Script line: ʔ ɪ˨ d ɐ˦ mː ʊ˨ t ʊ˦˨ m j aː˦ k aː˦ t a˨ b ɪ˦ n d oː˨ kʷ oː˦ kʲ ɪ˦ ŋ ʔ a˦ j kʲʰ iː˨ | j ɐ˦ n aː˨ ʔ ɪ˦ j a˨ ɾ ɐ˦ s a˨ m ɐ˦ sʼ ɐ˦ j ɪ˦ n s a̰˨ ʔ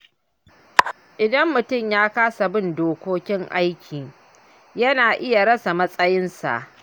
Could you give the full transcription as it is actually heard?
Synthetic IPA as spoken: ʔ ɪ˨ d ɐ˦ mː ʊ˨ t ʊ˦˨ m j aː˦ k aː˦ s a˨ b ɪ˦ n d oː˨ kʷ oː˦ kʲ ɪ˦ ŋ ʔ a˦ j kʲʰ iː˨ | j ɐ˦ n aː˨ ʔ ɪ˦ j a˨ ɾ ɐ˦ s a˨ m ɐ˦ sʼ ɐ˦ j ɪ˦ n s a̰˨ ʔ

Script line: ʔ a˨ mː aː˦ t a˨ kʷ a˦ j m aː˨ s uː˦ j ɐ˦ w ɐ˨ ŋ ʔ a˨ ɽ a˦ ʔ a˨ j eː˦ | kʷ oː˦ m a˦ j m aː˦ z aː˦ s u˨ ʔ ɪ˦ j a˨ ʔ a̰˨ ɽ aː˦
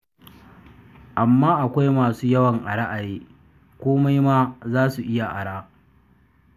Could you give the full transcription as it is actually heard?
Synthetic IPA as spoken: ʔ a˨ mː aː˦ ʔ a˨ kʷ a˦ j m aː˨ s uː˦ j ɐ˦ w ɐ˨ ŋ ʔ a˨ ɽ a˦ ʔ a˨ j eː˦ | kʷ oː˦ m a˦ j m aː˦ z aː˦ s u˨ ʔ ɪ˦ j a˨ ʔ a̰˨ ɽ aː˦

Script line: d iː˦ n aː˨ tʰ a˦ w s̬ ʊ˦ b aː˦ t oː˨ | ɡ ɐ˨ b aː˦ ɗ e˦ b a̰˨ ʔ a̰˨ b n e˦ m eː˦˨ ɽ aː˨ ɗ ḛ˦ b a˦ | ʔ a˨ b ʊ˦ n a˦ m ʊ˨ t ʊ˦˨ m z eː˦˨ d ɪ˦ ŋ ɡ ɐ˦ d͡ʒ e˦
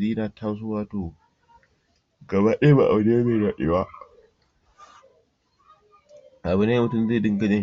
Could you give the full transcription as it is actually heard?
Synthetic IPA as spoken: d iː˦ n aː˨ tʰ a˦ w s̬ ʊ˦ w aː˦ t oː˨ | ɡ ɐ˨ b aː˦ ɗ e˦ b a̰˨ ʔ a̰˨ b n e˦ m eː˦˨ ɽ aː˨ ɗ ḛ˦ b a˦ | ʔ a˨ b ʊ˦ n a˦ m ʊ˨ t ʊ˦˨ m z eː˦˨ d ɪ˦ ŋ ɡ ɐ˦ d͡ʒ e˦

